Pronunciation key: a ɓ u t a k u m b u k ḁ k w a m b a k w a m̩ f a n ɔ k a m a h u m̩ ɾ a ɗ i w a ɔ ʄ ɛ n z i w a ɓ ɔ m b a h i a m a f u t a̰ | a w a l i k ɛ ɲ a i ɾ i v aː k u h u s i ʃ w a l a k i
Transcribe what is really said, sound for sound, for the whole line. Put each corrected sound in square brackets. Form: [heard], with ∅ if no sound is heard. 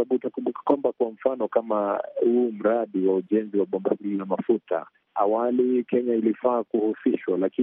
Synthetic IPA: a ɓ u t a k u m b u k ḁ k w a m b a k w a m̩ f a n ɔ k a m a h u m̩ ɾ a ɗ i w a [u] ʄ ɛ n z i w a ɓ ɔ m b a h i a m a f u t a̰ | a w a l i k ɛ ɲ a i [l] i [f] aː k u h u s i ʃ w a l a k i